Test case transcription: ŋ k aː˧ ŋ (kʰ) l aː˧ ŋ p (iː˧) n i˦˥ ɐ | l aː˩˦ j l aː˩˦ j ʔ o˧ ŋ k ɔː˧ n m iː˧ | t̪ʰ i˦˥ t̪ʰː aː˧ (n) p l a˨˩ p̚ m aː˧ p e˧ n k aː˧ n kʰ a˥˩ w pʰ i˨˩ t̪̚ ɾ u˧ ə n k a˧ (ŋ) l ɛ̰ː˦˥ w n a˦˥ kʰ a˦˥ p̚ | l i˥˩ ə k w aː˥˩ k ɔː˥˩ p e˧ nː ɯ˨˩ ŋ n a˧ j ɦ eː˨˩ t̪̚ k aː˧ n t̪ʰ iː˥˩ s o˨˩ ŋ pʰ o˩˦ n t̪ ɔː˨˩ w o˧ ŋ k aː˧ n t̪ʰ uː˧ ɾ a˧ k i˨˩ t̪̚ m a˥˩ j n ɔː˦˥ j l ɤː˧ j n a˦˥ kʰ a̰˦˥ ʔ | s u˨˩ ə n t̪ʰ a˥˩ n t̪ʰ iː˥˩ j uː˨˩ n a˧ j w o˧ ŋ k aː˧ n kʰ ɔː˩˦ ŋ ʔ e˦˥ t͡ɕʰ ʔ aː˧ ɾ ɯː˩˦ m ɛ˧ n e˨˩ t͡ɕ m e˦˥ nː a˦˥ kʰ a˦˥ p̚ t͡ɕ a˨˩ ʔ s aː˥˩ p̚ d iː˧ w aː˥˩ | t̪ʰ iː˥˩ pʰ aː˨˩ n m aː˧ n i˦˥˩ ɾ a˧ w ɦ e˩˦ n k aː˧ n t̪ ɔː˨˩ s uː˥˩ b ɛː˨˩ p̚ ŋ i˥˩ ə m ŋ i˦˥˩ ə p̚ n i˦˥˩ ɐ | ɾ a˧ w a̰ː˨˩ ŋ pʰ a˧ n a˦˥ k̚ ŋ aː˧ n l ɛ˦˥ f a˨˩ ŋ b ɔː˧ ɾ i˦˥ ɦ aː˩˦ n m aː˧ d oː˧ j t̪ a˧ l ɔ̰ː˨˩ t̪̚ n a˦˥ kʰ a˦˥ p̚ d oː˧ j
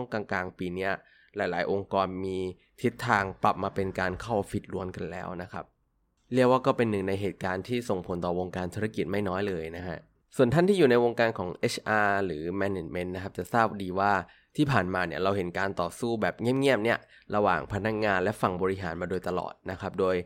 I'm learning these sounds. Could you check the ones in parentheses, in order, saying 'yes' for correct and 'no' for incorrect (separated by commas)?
no, yes, no, no